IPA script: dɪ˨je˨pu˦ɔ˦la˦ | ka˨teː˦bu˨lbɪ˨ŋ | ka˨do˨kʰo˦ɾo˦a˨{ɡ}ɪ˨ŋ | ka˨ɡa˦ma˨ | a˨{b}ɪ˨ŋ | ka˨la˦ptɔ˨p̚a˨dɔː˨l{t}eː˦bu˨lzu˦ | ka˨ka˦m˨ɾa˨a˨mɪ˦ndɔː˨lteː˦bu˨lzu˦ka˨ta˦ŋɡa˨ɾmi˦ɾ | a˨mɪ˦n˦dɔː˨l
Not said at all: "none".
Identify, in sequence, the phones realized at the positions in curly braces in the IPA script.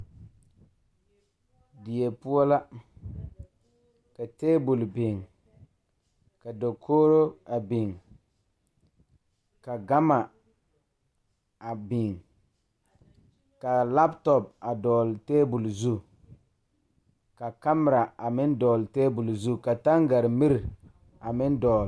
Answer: b, b, t

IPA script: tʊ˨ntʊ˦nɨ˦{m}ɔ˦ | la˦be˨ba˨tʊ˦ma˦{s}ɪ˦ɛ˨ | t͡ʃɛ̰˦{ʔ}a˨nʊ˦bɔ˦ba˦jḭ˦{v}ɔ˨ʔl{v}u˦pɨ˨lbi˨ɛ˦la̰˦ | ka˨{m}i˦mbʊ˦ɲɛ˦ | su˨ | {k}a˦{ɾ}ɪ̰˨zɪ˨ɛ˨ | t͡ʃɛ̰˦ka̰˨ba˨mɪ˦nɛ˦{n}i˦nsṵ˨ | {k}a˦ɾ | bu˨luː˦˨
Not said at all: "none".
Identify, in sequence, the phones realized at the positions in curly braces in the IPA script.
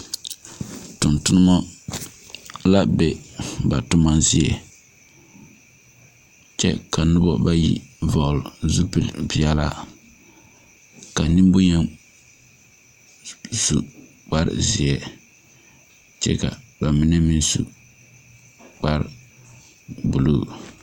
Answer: m, z, k, v, z, n, k͡p, ɾ, m, k͡p

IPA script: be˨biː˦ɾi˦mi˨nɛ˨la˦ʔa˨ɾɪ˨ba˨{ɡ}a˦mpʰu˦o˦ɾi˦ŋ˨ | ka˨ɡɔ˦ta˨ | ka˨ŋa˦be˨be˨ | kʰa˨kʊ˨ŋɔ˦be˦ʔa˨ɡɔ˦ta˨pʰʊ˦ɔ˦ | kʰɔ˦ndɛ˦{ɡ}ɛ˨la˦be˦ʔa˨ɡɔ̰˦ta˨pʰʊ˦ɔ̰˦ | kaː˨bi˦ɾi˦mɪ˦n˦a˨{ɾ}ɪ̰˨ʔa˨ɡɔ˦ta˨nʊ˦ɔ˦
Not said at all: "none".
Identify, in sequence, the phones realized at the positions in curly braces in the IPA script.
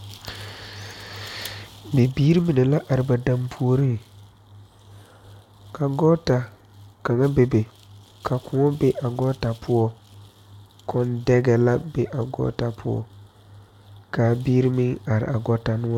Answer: d, ɡ, ɾ

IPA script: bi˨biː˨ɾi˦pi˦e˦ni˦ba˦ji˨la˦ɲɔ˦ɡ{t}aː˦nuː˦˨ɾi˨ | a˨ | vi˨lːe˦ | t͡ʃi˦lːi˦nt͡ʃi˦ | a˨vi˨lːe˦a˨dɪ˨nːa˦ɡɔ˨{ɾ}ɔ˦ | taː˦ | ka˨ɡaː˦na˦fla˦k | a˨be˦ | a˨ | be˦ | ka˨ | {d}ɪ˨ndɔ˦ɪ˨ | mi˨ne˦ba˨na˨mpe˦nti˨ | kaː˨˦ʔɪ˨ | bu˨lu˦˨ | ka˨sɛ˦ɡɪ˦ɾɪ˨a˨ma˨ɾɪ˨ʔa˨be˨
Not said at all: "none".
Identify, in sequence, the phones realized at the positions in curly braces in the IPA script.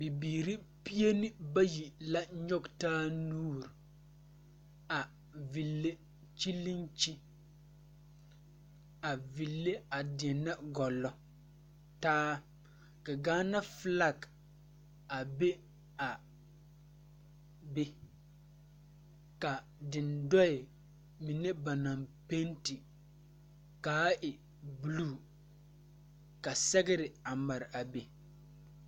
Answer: t, l, d

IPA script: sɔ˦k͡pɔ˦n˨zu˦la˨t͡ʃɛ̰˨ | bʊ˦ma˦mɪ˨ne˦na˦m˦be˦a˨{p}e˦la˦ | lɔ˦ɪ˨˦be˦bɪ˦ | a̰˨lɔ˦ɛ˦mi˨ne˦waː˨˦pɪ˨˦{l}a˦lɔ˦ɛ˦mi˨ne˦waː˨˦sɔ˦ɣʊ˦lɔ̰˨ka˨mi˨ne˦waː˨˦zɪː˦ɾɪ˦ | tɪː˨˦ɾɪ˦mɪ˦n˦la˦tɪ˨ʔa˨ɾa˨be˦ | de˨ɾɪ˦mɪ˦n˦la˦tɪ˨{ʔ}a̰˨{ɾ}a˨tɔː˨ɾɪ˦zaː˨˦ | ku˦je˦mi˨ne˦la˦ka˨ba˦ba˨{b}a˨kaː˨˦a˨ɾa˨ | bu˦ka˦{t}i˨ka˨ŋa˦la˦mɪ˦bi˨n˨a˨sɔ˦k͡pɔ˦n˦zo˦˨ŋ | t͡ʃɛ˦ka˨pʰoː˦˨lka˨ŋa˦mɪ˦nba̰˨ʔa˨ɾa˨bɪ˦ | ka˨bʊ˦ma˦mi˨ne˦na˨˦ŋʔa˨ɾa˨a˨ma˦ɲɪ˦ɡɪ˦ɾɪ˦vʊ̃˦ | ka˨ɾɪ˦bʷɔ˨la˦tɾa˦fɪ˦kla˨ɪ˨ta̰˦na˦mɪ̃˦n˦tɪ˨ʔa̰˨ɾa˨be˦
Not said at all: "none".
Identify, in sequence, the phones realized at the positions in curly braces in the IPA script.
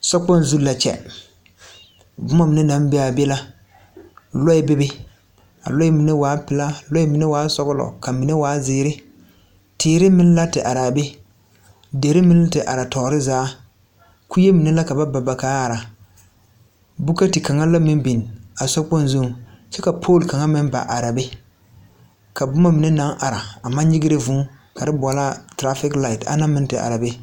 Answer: b, l, ʔ, ɾ, b, t

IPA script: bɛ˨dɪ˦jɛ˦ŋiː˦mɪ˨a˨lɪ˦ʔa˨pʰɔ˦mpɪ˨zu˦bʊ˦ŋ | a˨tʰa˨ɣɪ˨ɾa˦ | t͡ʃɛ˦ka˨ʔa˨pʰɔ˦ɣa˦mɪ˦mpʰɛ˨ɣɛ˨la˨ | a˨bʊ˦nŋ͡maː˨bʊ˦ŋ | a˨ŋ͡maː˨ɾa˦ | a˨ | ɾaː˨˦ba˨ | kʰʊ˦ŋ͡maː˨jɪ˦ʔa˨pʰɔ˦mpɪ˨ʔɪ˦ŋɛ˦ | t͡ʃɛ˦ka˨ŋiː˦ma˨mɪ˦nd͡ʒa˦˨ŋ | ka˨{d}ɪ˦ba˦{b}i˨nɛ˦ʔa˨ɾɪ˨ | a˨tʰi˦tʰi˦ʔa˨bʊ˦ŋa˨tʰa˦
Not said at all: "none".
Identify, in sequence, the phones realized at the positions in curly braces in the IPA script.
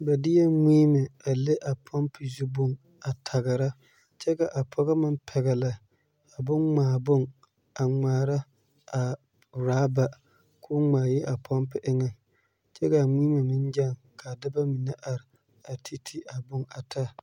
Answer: d, m

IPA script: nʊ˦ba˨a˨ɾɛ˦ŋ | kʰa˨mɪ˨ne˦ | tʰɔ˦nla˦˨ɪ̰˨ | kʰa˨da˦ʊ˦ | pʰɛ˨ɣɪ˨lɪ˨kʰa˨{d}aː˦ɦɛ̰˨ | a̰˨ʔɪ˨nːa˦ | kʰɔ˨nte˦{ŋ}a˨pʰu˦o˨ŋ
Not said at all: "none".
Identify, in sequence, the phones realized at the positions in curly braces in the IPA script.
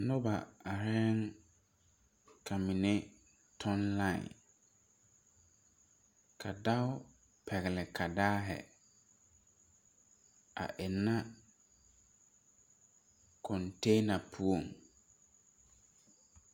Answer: d, n

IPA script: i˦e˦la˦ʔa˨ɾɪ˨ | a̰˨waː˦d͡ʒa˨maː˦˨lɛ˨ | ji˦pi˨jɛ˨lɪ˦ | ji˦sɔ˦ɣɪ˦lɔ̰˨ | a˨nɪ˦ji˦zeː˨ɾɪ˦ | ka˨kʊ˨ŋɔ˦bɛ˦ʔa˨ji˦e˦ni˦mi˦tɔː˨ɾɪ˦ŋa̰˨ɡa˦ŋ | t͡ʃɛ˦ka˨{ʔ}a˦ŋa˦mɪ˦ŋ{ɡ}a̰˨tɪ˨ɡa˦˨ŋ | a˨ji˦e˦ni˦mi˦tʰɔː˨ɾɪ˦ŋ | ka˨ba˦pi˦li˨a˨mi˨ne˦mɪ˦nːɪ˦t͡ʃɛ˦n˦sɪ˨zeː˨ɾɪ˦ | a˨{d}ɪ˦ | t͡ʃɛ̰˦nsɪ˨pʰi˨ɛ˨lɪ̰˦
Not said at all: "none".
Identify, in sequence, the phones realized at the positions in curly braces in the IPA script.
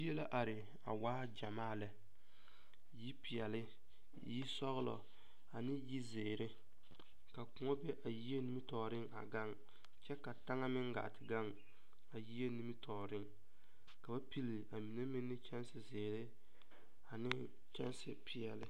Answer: t, ɡ, n

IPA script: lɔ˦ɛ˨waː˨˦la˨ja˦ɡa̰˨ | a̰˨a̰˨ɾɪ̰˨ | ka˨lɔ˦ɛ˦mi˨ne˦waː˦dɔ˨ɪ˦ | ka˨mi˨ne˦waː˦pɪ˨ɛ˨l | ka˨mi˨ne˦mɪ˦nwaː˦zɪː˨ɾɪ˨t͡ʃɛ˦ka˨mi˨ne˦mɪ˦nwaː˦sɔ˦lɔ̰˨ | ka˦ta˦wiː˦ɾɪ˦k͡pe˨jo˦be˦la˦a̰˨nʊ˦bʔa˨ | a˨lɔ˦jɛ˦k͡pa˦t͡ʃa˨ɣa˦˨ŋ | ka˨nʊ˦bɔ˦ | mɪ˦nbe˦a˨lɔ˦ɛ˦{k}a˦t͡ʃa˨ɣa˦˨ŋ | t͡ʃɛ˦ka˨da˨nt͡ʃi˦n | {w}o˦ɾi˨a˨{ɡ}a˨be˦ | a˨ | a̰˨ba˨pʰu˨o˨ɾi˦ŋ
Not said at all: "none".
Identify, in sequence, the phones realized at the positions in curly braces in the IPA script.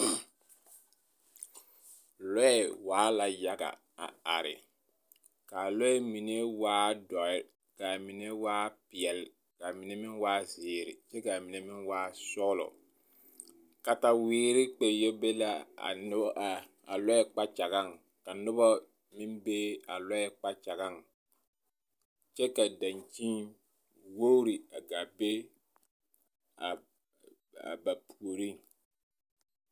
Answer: k͡p, w, ɡ

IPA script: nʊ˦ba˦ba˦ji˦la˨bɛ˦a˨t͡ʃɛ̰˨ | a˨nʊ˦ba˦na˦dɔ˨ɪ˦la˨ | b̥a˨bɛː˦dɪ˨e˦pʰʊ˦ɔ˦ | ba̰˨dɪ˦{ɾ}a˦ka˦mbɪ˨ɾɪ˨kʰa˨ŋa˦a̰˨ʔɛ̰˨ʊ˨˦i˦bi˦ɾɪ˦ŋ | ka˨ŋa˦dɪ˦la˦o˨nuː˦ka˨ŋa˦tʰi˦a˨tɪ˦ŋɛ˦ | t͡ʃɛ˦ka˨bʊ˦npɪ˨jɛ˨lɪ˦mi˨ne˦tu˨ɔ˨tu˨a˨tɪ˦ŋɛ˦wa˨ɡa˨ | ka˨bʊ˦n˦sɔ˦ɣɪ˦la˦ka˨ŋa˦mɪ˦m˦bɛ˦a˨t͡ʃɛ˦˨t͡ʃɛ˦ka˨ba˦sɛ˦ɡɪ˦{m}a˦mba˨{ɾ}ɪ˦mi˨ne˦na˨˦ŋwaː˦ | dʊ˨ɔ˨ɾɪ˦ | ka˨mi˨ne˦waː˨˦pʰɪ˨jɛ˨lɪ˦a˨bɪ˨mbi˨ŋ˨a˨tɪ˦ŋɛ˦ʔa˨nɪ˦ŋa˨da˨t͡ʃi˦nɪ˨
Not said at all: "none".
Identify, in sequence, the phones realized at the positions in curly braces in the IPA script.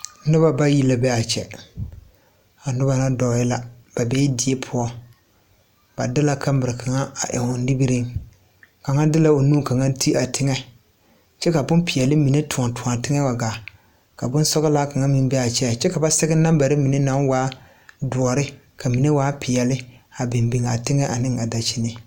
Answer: l, n, ɾ

